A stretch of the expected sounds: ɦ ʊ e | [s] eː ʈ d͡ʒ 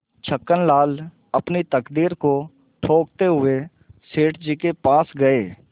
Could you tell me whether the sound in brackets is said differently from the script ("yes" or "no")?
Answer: no